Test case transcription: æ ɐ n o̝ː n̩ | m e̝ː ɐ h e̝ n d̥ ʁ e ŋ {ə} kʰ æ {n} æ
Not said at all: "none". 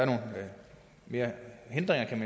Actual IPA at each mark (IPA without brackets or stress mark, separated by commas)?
ɐ, m